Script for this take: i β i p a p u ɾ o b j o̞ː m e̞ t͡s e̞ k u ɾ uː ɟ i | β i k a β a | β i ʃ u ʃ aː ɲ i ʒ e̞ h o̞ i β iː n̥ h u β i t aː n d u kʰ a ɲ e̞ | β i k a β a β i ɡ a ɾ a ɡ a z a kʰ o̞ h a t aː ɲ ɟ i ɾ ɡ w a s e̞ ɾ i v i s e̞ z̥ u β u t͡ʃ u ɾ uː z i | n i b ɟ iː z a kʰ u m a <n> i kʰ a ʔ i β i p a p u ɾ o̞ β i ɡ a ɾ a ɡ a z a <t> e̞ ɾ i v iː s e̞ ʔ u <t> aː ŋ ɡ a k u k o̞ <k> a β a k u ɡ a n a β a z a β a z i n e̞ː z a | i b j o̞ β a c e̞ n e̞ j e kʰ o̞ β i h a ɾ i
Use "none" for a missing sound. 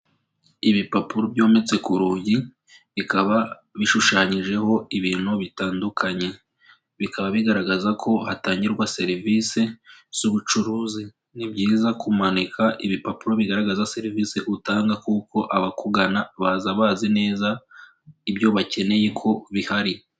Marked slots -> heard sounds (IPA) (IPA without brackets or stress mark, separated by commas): n, s, t, ʔ